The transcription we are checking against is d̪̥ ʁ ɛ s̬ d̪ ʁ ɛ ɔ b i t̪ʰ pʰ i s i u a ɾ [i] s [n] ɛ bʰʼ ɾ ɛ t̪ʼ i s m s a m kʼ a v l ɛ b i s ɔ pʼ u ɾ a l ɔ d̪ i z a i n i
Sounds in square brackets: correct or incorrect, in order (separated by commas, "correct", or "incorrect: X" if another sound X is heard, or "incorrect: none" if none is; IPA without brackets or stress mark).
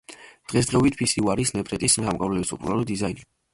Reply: correct, correct